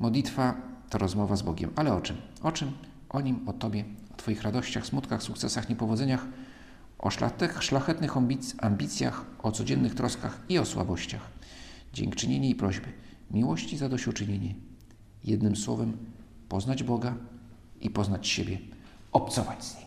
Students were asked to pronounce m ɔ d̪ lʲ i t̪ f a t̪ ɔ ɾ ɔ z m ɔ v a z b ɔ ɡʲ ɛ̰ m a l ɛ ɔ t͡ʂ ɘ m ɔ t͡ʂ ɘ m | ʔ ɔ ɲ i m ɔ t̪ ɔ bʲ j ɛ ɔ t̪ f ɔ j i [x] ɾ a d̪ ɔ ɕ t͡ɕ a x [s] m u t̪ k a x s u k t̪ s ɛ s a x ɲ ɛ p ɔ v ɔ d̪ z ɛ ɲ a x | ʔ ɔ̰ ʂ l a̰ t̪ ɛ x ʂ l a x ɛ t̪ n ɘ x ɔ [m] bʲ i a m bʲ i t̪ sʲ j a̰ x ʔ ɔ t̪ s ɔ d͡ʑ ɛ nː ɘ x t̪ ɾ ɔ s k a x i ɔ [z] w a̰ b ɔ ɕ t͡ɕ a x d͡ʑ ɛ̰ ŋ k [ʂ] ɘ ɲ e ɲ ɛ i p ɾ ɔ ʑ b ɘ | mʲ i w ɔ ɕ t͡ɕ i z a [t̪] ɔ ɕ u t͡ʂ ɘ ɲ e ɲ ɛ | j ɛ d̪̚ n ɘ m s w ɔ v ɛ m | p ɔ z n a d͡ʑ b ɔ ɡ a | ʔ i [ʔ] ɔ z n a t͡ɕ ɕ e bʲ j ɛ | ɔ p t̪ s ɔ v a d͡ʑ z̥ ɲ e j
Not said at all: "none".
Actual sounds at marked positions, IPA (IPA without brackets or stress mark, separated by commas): x, s, m, s, t͡ʂ, d̪, p